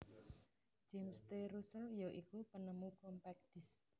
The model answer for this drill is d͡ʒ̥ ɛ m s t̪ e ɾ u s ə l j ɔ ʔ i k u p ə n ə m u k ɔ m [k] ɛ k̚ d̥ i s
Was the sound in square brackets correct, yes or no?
no